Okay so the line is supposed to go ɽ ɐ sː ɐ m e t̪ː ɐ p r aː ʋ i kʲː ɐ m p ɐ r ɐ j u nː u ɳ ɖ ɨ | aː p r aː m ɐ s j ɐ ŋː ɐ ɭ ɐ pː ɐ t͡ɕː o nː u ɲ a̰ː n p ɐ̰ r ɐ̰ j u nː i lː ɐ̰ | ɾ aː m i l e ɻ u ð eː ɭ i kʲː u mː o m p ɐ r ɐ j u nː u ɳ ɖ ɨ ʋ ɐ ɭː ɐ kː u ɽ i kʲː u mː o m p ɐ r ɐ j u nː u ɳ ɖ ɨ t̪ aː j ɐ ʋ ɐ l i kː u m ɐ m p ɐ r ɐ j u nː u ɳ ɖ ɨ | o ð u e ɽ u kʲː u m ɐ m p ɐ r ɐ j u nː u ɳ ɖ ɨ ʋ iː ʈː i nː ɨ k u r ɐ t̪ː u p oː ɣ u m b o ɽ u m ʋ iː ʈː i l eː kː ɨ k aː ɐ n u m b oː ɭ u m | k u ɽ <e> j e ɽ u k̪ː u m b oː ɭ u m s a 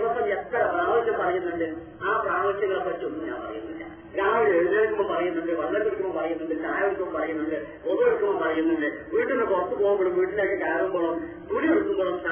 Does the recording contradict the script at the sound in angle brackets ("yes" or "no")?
yes